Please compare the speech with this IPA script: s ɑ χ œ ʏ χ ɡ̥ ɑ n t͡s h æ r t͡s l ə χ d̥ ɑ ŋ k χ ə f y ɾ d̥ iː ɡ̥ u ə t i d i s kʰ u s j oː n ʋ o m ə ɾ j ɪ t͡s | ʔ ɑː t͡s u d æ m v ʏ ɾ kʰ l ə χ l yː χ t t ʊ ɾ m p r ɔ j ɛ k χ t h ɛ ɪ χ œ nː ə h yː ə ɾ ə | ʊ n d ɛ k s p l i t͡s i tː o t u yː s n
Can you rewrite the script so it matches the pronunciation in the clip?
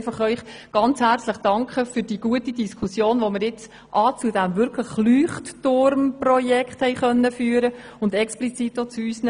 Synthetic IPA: f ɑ χ œ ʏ χ ɡ̥ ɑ n t͡s h æ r t͡s l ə χ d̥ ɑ ŋ k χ ə f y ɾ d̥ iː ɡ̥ u ə t i d i s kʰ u s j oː n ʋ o m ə ɾ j ɪ t͡s | ʔ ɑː t͡s u d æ m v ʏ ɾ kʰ l ə χ l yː χ t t ʊ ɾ m p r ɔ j ɛ k χ t h ɛ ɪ χ œ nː ə f yː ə ɾ ə | ʊ n d ɛ k s p l i t͡s i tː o t͡s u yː s n